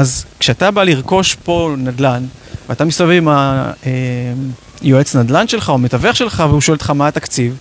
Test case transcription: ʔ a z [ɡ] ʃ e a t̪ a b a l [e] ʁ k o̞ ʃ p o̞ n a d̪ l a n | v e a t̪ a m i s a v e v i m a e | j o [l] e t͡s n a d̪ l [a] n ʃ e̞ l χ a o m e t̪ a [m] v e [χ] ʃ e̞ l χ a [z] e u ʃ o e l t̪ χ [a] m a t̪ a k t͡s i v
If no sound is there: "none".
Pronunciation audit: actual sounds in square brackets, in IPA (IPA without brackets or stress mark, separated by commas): k, i, none, a, none, χ, v, a